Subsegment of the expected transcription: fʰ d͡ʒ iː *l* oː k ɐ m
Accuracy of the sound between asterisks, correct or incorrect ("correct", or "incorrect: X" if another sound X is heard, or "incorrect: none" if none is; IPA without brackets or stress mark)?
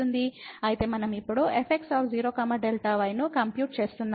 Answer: incorrect: ɾ